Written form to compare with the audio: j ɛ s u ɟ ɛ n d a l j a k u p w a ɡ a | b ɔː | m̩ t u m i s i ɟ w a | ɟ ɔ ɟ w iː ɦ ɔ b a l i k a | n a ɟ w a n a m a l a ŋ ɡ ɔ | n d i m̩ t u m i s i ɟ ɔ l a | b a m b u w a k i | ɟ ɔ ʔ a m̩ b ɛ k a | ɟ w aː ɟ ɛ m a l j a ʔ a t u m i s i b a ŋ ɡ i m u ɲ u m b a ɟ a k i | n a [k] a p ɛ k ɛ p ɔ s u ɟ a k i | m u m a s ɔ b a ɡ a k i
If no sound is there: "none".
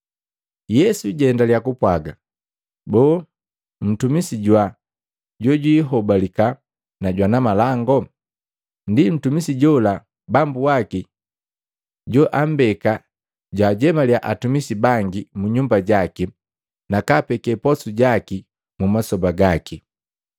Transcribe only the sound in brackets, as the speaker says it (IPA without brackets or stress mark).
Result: k